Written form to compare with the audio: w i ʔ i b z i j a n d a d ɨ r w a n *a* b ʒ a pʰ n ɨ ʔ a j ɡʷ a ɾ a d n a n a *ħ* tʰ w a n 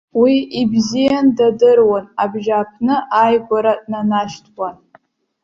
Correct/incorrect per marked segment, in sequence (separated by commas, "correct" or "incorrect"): correct, incorrect